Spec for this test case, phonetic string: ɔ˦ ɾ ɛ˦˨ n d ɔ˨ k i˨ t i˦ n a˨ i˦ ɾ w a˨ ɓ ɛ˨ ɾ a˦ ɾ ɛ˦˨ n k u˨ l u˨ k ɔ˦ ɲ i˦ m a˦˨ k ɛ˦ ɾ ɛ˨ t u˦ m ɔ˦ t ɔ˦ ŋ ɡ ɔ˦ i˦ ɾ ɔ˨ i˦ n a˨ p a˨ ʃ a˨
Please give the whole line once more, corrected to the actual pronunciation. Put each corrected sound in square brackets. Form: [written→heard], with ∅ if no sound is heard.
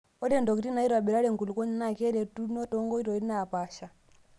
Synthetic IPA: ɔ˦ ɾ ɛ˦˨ n d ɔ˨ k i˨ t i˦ n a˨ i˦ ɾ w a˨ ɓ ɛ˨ ɾ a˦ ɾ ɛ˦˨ [n→ŋ] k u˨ l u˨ k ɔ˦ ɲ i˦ [m→n] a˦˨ k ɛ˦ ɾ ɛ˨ t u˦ [m→n] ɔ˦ t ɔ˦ ŋ ɡ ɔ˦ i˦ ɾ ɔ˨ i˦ n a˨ p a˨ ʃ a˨